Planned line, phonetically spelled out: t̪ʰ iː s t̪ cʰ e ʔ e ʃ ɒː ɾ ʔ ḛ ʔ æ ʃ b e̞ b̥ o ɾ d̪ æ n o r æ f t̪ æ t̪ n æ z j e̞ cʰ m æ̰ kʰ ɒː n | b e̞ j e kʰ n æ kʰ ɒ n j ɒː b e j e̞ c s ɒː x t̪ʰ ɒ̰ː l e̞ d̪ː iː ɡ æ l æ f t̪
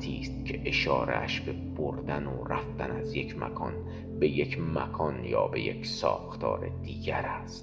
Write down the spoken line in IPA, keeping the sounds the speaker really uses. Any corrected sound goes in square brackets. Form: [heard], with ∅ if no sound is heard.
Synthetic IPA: t̪ʰ iː s t̪ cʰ e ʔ e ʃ ɒː ɾ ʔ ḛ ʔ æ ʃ b e̞ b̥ o ɾ d̪ æ n o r æ f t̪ æ [∅] n æ z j e̞ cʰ m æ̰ kʰ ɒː n | b e̞ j e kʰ [m] æ kʰ ɒ n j ɒː b e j e̞ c s ɒː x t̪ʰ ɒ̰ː [ɾ] e̞ [d̪] iː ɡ æ [ɾ] æ [s] t̪